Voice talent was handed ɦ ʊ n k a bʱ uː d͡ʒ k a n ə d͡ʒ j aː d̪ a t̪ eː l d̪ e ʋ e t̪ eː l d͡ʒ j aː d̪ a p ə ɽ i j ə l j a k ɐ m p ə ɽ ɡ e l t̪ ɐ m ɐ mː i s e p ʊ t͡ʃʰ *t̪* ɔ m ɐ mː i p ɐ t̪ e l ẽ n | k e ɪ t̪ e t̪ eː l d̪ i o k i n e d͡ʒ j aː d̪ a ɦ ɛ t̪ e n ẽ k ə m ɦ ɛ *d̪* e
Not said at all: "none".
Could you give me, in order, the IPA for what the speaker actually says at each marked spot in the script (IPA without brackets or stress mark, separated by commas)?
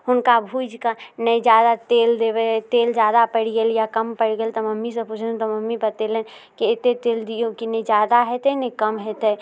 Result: t̪, t̪